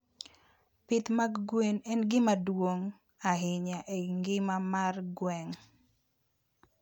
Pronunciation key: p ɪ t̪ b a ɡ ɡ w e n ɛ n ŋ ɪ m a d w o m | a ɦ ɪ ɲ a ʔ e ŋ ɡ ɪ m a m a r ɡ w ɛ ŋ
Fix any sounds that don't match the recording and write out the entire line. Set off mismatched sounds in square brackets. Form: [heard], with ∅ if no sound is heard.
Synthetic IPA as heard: p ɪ t̪ [m] a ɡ ɡ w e n ɛ n [ɡ] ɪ m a d w o [ŋ] | a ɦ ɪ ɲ a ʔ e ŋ ɡ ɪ m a m a r ɡ w ɛ ŋ